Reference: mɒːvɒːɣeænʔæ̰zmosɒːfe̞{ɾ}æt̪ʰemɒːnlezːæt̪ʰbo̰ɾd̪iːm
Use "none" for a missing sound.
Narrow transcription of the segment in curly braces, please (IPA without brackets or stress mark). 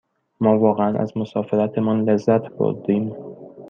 ɾ